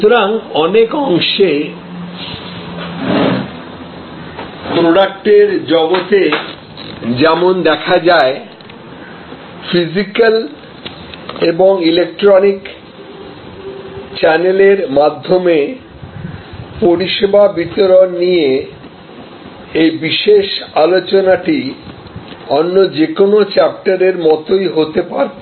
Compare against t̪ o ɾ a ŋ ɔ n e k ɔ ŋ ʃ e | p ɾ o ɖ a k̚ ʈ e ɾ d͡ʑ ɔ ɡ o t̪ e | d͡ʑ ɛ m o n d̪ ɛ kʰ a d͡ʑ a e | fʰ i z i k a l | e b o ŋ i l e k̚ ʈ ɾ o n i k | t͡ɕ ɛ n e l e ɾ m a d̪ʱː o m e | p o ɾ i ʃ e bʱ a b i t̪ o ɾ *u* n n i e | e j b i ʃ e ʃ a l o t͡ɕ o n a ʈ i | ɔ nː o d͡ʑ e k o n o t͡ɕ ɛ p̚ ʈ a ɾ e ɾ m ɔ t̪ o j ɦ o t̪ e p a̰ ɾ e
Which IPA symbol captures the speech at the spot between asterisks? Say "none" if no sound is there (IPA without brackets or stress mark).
o